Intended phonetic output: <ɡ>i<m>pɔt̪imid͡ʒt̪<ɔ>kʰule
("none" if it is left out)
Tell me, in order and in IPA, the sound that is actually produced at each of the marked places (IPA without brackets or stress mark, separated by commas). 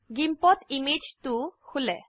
ɡ, m, u